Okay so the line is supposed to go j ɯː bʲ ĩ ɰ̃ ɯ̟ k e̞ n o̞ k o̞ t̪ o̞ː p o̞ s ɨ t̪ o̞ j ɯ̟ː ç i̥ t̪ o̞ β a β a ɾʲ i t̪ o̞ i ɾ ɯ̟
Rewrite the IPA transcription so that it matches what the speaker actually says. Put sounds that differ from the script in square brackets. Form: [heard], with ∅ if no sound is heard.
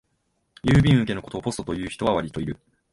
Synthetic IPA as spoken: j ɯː bʲ ĩ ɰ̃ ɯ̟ k e̞ n o̞ k o̞ t̪ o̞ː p o̞ s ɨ t̪ o̞ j ɯ̟ː ç i̥ t̪ o̞ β a β a ɾʲ i t̪ o̞ i ɾ ɯ̟